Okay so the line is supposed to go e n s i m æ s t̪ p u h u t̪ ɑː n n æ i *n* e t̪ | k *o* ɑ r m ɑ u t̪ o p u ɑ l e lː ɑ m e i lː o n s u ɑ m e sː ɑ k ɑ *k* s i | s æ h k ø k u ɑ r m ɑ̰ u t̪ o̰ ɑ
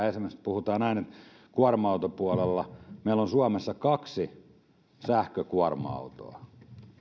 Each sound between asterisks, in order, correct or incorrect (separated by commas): correct, incorrect, correct